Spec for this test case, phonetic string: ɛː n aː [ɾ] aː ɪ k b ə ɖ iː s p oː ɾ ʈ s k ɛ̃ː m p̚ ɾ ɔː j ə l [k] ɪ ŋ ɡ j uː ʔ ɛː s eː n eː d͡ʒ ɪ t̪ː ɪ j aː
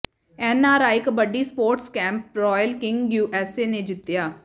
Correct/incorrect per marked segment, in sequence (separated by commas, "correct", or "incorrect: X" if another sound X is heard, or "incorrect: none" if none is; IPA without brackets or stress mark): correct, correct